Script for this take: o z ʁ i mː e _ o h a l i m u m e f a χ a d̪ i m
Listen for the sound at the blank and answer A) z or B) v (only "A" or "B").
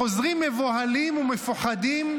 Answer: B